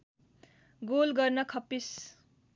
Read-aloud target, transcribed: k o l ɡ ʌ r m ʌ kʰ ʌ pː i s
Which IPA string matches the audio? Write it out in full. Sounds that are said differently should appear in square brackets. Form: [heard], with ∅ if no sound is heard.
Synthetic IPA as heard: [ɡ] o l ɡ ʌ r [n] ʌ kʰ ʌ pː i s

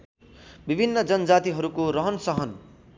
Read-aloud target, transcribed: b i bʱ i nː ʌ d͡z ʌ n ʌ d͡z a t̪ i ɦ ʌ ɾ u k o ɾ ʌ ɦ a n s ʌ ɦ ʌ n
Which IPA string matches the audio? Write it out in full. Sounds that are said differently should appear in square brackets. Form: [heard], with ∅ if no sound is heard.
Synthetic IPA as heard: b i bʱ i nː ʌ d͡z ʌ n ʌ d͡z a t̪ i ɦ ʌ ɾ u k o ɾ ʌ ɦ [ʌ] n s ʌ ɦ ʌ n

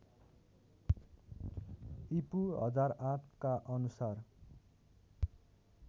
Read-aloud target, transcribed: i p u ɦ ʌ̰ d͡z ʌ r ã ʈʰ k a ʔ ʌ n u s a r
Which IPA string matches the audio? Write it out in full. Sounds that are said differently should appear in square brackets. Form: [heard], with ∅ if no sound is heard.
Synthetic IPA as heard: i p u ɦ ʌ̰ d͡z [a] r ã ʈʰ k a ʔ ʌ n u s a r

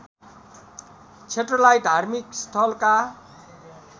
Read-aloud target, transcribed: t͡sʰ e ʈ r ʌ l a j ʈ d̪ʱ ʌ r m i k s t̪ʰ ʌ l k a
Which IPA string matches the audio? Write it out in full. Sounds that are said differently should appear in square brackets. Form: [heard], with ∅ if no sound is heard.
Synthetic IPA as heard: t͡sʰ e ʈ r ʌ l a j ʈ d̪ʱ [a] r m i k s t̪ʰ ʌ l k a

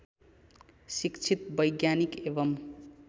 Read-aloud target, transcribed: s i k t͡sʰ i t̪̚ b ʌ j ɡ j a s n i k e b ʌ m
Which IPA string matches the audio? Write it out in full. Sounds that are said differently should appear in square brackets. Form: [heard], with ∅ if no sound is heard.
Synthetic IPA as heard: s i k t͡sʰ i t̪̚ b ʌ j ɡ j a [∅] n i k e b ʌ m

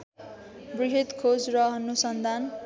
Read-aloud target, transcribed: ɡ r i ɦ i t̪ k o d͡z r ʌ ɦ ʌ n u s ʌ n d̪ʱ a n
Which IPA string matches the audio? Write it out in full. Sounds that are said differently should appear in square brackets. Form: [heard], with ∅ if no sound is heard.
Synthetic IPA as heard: [b] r i ɦ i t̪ [kʰ] o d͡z r ʌ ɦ ʌ n u s ʌ n d̪ʱ a n

